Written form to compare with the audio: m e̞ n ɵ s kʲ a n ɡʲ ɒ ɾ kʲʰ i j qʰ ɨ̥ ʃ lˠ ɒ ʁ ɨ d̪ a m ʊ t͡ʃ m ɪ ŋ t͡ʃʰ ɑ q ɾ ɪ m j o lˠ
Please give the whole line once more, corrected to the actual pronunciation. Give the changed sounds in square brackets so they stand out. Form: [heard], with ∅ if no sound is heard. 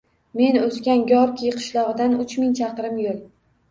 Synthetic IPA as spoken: m e̞ n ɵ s kʲ a n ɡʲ ɒ ɾ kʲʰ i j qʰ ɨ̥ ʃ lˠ ɒ ʁ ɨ d̪ a [n] ʊ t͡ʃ m ɪ ŋ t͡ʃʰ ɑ q ɾ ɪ m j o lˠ

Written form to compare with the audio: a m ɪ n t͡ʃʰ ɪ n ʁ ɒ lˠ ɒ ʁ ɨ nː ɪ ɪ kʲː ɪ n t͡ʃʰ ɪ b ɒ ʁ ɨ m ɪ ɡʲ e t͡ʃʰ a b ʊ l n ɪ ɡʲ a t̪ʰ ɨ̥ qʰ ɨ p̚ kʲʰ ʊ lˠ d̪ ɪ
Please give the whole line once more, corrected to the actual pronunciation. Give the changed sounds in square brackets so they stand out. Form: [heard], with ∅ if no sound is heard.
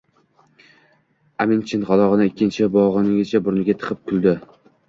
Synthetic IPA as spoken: a m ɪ n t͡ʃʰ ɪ n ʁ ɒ lˠ ɒ ʁ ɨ [n] ɪ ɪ kʲː ɪ n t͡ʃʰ ɪ b ɒ ʁ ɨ [n] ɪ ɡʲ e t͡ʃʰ a b ʊ [ɾ] n ɪ ɡʲ a t̪ʰ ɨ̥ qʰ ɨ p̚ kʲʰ ʊ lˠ d̪ ɪ

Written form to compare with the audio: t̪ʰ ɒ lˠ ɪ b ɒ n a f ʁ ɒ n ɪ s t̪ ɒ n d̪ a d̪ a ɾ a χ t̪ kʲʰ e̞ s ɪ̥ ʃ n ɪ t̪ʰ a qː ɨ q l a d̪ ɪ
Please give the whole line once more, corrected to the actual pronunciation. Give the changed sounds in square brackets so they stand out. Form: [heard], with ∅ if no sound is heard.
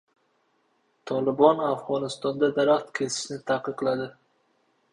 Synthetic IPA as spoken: t̪ʰ ɒ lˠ ɪ b ɒ n a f ʁ ɒ n ɪ s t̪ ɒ n d̪ a d̪ a ɾ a χ t̪ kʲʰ e̞ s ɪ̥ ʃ n ɪ t̪ʰ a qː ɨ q l a d̪ ɪ

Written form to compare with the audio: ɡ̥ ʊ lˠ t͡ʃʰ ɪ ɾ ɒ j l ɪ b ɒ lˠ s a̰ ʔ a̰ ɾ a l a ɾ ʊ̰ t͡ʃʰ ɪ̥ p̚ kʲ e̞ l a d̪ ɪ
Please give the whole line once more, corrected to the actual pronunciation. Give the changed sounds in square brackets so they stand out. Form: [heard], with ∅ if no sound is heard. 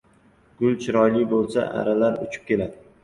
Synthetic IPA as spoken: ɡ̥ ʊ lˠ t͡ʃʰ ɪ ɾ ɒ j l ɪ b [o] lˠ s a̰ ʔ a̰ ɾ a l a ɾ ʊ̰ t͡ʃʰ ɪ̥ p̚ kʲ e̞ l a d̪ ɪ

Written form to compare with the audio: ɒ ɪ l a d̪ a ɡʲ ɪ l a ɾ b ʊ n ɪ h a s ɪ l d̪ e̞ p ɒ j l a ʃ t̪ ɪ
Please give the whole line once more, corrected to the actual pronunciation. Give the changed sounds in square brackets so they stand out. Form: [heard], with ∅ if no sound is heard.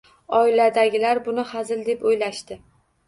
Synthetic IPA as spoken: ɒ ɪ l a d̪ a ɡʲ ɪ l a ɾ b ʊ n ɪ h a [z] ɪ l d̪ e̞ p [o] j l a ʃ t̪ ɪ

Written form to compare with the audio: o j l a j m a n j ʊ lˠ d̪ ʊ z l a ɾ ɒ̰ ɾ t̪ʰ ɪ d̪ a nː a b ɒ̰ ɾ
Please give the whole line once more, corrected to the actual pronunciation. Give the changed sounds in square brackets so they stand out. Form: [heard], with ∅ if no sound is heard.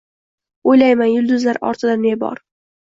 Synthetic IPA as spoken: o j l a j m a n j ʊ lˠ d̪ ʊ z l a ɾ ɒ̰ ɾ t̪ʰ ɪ d̪ a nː [e] b ɒ̰ ɾ

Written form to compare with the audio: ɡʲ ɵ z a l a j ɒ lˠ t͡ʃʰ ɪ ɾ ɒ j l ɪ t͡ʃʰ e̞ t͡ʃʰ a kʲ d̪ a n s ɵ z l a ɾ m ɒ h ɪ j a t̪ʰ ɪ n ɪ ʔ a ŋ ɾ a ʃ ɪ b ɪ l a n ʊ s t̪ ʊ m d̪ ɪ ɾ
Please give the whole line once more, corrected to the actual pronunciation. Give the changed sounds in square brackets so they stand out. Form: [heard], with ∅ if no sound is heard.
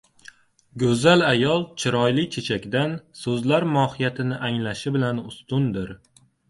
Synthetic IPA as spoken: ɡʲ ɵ z a l a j ɒ lˠ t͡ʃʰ ɪ ɾ ɒ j l ɪ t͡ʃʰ e̞ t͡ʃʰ a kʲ d̪ a n s ɵ z l a ɾ m ɒ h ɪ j a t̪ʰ ɪ n ɪ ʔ a ŋ [l] a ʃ ɪ b ɪ l a n ʊ s t̪ ʊ [n] d̪ ɪ ɾ

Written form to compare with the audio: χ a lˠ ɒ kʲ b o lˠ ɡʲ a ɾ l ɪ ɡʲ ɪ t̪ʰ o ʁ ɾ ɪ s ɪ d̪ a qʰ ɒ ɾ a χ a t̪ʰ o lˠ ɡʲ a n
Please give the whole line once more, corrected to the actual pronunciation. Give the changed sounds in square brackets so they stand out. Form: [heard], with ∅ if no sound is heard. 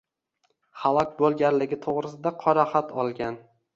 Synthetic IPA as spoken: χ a lˠ ɒ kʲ b o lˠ ɡʲ a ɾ l ɪ ɡʲ ɪ t̪ʰ o ʁ ɾ ɪ s ɪ d̪ a qʰ ɒ ɾ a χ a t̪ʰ [ɒ] lˠ ɡʲ a n

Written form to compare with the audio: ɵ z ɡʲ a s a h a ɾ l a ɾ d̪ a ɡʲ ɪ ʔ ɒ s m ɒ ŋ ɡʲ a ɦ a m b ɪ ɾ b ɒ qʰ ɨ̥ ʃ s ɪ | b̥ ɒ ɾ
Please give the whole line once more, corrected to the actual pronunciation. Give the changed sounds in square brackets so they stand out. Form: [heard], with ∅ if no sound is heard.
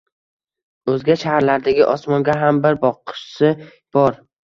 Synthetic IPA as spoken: ɵ z ɡʲ a [ʃ] a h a ɾ l a ɾ d̪ a ɡʲ ɪ ʔ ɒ s m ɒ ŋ ɡʲ a ɦ a m b ɪ ɾ b ɒ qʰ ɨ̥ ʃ s ɪ | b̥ ɒ ɾ

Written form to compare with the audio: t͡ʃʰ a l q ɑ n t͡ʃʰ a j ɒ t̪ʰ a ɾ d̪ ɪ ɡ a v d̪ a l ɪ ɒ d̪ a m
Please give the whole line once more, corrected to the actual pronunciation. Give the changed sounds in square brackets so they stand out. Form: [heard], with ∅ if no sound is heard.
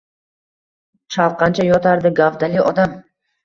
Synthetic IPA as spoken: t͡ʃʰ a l q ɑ n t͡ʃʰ a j ɒ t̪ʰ a ɾ d̪ ɪ ɡ a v d̪ a l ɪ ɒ d̪ a m

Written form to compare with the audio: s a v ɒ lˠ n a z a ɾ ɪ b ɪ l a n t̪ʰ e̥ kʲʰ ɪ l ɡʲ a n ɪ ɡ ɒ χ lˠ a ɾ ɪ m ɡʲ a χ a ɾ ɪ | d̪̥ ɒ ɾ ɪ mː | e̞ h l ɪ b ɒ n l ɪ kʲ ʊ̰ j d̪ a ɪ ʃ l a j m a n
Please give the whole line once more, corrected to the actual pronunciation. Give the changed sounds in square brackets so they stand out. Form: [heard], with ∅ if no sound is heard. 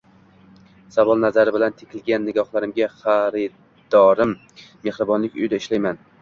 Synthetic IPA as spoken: s a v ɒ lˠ n a z a ɾ ɪ b ɪ l a n t̪ʰ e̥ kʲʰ ɪ l ɡʲ a [nː] ɪ ɡ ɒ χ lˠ a ɾ ɪ m ɡʲ a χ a ɾ ɪ | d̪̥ ɒ ɾ ɪ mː | e̞ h [ɾ] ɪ b ɒ n l ɪ kʲ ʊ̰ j d̪ a ɪ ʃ l a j m a n

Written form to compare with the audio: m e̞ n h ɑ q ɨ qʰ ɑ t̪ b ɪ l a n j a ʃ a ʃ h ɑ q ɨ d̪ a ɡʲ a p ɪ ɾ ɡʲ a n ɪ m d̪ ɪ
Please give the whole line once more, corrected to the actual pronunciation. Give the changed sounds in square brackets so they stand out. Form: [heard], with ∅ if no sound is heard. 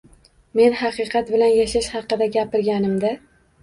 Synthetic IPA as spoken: m e̞ n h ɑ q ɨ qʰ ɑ t̪ b ɪ l a n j a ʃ a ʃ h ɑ q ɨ d̪ a ɡʲ a p ɪ ɾ ɡʲ a n ɪ m d̪ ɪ

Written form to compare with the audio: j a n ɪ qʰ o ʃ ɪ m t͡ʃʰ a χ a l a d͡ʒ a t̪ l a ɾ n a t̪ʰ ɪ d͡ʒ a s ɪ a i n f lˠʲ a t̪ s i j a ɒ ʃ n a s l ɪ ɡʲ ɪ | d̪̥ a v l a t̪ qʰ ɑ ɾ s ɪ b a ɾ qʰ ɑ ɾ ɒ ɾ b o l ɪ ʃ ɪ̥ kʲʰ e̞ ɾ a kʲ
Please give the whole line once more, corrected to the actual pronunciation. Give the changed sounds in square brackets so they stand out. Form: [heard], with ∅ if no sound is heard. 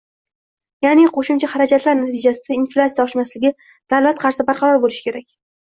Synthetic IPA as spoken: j a n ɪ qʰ o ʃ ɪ m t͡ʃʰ a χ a [ɾ] a d͡ʒ a t̪ l a ɾ n a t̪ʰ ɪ d͡ʒ a s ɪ a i n f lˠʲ a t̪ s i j a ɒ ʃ [m] a s l ɪ ɡʲ ɪ | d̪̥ a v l a t̪ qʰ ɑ ɾ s ɪ b a ɾ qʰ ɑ ɾ ɒ ɾ b o l ɪ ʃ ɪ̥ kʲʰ e̞ ɾ a kʲ

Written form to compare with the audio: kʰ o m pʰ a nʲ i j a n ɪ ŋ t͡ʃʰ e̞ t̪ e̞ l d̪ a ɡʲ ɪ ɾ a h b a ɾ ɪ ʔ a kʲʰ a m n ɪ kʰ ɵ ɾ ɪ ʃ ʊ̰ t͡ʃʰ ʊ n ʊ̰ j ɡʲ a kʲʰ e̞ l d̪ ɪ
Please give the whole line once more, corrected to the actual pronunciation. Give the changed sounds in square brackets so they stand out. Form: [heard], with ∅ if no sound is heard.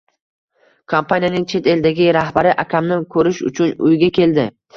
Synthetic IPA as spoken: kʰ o m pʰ a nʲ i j a n ɪ ŋ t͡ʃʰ e̞ t̪ e̞ l d̪ a ɡʲ ɪ ɾ a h b a ɾ ɪ ʔ a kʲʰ a m n ɪ kʰ ɵ ɾ ɪ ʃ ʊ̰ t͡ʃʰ ʊ n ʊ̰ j ɡʲ a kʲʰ e̞ l d̪ ɪ

